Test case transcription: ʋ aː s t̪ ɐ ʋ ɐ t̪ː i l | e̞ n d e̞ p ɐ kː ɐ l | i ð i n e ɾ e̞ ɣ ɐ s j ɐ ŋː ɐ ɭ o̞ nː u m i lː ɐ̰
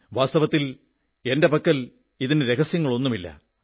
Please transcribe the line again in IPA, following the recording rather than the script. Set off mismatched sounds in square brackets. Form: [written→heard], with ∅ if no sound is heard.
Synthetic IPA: ʋ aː s t̪ ɐ ʋ ɐ t̪ː i l | e̞ n d e̞ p ɐ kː ɐ l | i ð i n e ɾ e̞ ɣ ɐ s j ɐ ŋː ɐ ɭ o̞ nː u m i lː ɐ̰

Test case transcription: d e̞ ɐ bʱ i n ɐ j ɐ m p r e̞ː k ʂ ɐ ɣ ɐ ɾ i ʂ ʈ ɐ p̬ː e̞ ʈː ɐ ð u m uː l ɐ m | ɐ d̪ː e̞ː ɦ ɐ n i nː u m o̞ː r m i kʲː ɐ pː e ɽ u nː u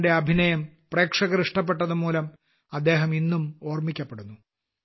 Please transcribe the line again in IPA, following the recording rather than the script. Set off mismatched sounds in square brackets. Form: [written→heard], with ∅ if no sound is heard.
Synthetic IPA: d e̞ ɐ bʱ i n ɐ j ɐ m p r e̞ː k ʂ ɐ ɣ ɐ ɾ i ʂ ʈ ɐ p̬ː e̞ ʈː ɐ ð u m uː l ɐ m | ɐ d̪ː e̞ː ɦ ɐ [n→m] i nː u m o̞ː r m i kʲː ɐ pː e ɽ u nː u

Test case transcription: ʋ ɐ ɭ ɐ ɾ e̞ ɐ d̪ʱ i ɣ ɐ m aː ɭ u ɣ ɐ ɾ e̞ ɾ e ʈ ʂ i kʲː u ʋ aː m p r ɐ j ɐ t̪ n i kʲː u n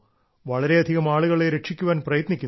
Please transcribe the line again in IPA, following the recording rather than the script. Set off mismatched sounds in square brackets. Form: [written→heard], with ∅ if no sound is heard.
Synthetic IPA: ʋ ɐ ɭ ɐ ɾ e̞ ɐ d̪ʱ i ɣ ɐ m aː ɭ u ɣ ɐ [ɾ→ɭ] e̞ ɾ e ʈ ʂ i kʲː u ʋ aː [m→n] p r ɐ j ɐ t̪ n i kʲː u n

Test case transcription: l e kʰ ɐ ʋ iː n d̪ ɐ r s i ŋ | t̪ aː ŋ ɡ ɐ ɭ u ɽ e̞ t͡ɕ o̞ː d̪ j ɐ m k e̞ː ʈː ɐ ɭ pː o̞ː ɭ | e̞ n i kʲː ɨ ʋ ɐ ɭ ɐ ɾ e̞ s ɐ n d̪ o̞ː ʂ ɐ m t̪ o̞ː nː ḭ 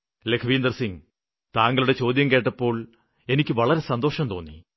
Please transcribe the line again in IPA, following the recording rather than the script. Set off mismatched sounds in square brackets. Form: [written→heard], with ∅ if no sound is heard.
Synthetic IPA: l e kʰ ɐ ʋ iː n d̪ ɐ r s i ŋ | t̪ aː ŋ ɡ ɐ ɭ u ɽ e̞ t͡ɕ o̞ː d̪ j ɐ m k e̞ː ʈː ɐ [ɭ→∅] pː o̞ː ɭ | e̞ n i kʲː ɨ ʋ ɐ ɭ ɐ ɾ e̞ s ɐ n d̪ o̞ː ʂ ɐ m t̪ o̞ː nː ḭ

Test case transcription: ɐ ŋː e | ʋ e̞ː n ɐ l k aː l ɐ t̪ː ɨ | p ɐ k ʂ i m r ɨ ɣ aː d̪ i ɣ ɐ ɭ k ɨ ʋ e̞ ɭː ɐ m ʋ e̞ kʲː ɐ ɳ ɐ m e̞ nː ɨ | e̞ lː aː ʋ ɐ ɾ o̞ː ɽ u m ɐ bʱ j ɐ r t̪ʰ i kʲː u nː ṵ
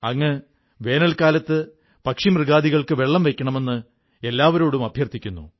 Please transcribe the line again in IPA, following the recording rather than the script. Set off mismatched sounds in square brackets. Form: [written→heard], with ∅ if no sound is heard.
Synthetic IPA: ɐ ŋː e | ʋ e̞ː n ɐ l k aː l ɐ t̪ː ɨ | p ɐ k ʂ i m r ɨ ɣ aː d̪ i ɣ ɐ ɭ k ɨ ʋ e̞ ɭː ɐ m ʋ e̞ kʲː ɐ ɳ ɐ m e̞ nː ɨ | e̞ lː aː ʋ ɐ ɾ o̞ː ɽ u m ɐ bʱ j ɐ r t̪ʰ i kʲː u nː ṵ

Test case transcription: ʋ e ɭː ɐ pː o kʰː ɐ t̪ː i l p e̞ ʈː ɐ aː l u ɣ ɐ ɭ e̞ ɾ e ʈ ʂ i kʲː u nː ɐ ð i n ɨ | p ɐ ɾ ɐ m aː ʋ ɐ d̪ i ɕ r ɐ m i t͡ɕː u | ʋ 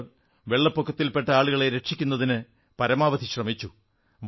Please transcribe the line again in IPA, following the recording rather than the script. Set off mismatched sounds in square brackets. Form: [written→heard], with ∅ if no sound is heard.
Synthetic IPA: ʋ e ɭː ɐ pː o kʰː ɐ t̪ː i l p e̞ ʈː ɐ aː [l→ɭ] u ɣ ɐ ɭ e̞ ɾ e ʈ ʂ i kʲː u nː ɐ ð i n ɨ | p ɐ ɾ ɐ m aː ʋ ɐ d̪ i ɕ r ɐ m i t͡ɕː u | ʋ

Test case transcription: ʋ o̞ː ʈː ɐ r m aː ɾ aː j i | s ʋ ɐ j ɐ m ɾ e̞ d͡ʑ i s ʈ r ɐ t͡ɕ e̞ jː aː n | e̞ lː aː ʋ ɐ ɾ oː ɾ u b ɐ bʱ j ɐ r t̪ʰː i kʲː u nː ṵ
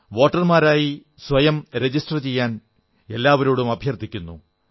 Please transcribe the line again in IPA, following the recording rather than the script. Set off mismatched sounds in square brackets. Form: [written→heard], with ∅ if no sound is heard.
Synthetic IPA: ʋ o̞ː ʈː ɐ r m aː ɾ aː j i | s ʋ ɐ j ɐ m ɾ e̞ d͡ʑ i s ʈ r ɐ t͡ɕ e̞ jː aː n | e̞ lː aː ʋ ɐ ɾ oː [ɾ→ɽ] u [b→m] ɐ bʱ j ɐ r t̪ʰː i kʲː u nː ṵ

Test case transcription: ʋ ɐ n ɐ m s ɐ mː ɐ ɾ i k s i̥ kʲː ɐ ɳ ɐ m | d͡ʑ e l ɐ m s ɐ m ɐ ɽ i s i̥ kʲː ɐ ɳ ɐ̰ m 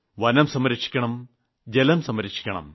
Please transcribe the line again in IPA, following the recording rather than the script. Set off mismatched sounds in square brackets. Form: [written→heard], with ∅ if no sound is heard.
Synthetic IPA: ʋ ɐ n ɐ m s ɐ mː ɐ ɾ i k [s→ʂ] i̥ kʲː ɐ ɳ ɐ m | d͡ʑ e l ɐ m s ɐ m ɐ [ɽ→ɾ] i [s→ʂ] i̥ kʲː ɐ ɳ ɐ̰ m

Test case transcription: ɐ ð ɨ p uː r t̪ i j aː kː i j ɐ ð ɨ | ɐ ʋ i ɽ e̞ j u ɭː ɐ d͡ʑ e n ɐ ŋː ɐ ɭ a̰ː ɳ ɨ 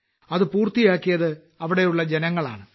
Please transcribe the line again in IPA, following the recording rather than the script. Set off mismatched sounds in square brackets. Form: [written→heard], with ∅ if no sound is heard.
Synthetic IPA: ɐ ð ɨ p uː r t̪ i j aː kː i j ɐ ð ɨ | ɐ ʋ i ɽ e̞ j u ɭː ɐ d͡ʑ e n ɐ ŋː ɐ ɭ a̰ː ɳ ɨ

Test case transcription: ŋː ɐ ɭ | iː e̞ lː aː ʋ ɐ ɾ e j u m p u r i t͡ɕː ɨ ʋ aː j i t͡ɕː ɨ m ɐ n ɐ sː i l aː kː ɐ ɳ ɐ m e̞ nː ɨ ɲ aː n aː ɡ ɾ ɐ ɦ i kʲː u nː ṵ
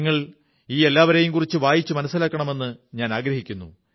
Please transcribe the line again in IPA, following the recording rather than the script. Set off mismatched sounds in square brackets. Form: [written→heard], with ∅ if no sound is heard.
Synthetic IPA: ŋː ɐ ɭ | iː e̞ lː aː ʋ ɐ ɾ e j u m [p→k] u r i t͡ɕː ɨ ʋ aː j i t͡ɕː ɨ m ɐ n ɐ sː i l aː kː ɐ ɳ ɐ m e̞ nː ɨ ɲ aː n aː ɡ ɾ ɐ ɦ i kʲː u nː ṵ

